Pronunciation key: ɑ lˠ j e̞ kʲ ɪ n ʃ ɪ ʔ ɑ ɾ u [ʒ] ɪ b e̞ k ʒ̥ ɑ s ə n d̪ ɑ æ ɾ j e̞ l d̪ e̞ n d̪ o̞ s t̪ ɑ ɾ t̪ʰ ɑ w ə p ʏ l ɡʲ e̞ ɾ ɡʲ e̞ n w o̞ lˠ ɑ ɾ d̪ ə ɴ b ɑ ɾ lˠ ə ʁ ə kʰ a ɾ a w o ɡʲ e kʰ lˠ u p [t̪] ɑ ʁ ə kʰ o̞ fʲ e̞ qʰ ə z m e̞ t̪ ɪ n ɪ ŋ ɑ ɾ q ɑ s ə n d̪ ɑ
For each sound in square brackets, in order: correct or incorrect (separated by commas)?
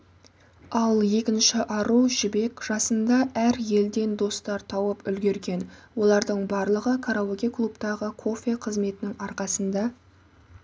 correct, correct